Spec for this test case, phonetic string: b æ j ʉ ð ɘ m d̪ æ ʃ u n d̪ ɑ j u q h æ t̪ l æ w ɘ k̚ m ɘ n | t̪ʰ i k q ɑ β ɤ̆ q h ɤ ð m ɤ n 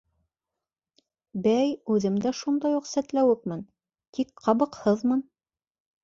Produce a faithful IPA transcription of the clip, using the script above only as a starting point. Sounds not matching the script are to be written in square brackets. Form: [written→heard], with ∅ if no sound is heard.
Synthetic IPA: b æ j ʉ ð ɘ m d̪ æ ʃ u n d̪ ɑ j u q [h→s] æ t̪ l æ w ɘ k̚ m ɘ n | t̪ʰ i k q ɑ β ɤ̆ q h ɤ ð m ɤ n

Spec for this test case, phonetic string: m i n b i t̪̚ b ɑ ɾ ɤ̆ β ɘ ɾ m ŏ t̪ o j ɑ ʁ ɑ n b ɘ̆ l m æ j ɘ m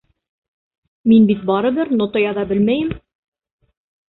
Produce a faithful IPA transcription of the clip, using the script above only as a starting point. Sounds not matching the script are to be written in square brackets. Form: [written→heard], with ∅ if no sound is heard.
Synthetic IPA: m i n b i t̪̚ b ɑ ɾ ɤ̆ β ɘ ɾ [m→n] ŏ t̪ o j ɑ [ʁ→ð] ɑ [n→∅] b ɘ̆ l m æ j ɘ m

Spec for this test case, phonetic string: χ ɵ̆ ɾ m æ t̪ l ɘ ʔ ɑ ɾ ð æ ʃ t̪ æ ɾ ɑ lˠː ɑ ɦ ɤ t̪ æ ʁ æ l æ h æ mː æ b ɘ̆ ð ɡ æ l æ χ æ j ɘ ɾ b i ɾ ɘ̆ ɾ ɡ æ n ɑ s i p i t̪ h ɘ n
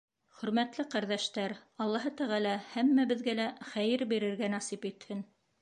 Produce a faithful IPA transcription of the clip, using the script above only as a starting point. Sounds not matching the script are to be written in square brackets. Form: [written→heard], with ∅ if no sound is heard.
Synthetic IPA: χ ɵ̆ ɾ m æ t̪ l ɘ [ʔ→q] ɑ ɾ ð æ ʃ t̪ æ ɾ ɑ lˠː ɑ ɦ ɤ t̪ æ ʁ æ l æ h æ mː æ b ɘ̆ ð ɡ æ l æ χ æ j ɘ ɾ b i ɾ ɘ̆ ɾ ɡ æ n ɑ s i p i t̪ h ɘ n

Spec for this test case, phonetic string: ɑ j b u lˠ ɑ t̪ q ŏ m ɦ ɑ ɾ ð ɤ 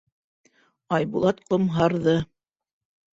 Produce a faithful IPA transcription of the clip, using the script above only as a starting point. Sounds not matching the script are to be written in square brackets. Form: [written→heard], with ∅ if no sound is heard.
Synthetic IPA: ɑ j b u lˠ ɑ t̪ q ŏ m ɦ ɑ ɾ ð ɤ

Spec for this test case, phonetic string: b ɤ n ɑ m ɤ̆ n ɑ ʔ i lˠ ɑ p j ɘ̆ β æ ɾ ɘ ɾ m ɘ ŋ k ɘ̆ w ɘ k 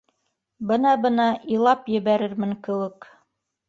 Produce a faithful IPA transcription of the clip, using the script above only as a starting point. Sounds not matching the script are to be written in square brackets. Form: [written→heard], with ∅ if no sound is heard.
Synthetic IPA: b ɤ n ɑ [m→b] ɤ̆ n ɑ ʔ i lˠ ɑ p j ɘ̆ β æ ɾ ɘ ɾ m ɘ ŋ k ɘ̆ w ɘ k

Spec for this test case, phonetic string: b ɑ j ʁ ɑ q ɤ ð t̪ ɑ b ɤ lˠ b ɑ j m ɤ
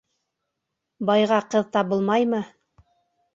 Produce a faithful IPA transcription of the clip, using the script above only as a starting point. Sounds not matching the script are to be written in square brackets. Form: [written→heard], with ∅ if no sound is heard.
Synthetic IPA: b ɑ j ʁ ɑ q ɤ ð t̪ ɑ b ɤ lˠ [b→m] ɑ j m ɤ

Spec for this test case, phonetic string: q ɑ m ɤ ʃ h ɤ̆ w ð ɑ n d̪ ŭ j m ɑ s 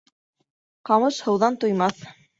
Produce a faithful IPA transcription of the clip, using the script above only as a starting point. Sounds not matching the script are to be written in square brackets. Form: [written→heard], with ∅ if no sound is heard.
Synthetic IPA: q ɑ m ɤ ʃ h ɤ̆ w ð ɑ n [d̪→t̪] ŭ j m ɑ [s→θ]

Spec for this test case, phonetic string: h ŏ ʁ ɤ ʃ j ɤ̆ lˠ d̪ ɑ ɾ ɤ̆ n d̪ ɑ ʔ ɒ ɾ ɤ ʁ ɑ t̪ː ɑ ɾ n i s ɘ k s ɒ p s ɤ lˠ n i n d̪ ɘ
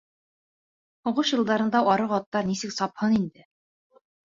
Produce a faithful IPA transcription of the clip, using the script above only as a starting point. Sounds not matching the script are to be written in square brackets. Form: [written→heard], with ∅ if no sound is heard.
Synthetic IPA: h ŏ ʁ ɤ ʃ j ɤ̆ lˠ d̪ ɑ ɾ ɤ̆ n d̪ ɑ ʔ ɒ ɾ ɤ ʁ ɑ t̪ː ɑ ɾ n i s ɘ k s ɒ p [s→h] ɤ [lˠ→∅] n i n d̪ ɘ

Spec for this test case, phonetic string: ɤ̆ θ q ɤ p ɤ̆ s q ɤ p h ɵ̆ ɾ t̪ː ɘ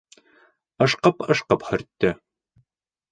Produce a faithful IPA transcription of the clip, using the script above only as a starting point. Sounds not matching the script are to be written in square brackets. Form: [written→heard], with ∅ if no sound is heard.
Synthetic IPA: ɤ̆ [θ→ʃ] q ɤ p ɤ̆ [s→ʃ] q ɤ p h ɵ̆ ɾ t̪ː ɘ

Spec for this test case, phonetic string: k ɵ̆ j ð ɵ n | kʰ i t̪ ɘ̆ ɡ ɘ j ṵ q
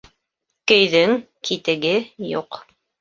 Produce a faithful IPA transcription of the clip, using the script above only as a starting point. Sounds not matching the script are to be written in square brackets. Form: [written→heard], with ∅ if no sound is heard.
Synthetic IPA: k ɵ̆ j ð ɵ [n→ŋ] | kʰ i t̪ ɘ̆ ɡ ɘ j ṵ q

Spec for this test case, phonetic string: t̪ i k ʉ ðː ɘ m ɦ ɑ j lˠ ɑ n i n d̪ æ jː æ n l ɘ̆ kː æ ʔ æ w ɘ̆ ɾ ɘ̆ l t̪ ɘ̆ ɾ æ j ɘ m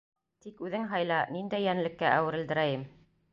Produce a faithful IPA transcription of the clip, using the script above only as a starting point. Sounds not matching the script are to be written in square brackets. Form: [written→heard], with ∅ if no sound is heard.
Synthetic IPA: t̪ i k ʉ [ðː→ð] ɘ [m→ŋ] ɦ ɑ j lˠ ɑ n i n d̪ æ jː æ n l ɘ̆ kː æ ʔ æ w ɘ̆ ɾ ɘ̆ l [t̪→d̪] ɘ̆ ɾ æ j ɘ m

